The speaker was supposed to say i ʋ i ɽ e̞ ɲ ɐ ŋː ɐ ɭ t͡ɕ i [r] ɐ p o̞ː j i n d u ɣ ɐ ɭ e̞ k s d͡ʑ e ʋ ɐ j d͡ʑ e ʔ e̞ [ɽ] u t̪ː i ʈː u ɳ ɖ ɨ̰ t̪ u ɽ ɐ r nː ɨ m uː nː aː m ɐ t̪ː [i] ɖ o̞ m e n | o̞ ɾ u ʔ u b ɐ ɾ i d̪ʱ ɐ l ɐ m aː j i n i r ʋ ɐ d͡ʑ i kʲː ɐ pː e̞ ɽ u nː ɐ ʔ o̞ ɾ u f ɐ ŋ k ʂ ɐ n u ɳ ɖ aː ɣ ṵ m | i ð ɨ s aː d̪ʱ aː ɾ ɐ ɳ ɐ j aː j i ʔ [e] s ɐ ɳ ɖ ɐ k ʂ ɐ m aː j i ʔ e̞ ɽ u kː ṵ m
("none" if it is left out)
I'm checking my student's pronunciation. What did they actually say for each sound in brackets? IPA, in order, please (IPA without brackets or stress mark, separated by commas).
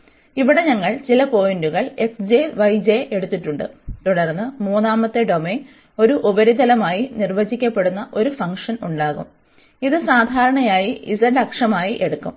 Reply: l, ɽ, e, i